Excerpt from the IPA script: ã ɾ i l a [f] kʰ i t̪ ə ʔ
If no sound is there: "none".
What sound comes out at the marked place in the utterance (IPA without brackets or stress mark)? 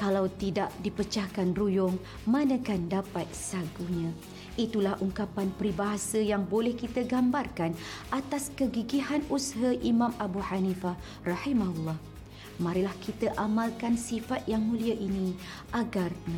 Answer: h